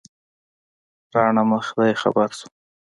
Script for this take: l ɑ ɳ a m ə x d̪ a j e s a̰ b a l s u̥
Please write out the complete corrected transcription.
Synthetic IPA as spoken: ɾ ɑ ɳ a m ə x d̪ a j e x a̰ b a ɾ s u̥